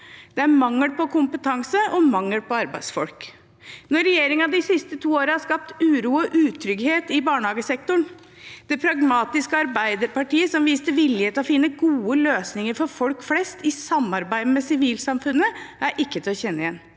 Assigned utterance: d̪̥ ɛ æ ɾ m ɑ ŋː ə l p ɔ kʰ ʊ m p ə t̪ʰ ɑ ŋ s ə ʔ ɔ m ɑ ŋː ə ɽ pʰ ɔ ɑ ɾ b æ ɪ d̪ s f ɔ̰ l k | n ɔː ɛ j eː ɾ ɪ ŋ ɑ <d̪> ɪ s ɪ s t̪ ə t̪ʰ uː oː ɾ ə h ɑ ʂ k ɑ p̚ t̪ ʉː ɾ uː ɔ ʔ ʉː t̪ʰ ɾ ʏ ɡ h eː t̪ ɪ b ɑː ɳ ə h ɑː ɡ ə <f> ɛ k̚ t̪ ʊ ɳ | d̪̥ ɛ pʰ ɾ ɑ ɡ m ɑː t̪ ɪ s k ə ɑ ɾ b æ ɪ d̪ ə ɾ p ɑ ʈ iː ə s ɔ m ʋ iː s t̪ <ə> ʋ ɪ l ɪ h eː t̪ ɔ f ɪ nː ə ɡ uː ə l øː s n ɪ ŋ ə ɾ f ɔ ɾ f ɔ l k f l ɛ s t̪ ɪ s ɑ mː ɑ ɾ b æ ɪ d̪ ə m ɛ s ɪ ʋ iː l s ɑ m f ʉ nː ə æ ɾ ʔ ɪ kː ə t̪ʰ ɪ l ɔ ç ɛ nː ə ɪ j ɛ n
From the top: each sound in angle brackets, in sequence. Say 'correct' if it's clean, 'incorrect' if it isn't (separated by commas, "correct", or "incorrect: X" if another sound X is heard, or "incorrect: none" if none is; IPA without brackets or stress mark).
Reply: correct, incorrect: s, correct